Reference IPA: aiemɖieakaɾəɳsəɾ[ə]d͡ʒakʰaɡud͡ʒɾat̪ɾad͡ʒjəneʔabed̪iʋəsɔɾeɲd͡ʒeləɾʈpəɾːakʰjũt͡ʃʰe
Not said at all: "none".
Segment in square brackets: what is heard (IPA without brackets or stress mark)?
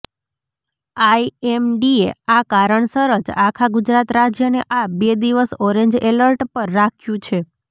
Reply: ə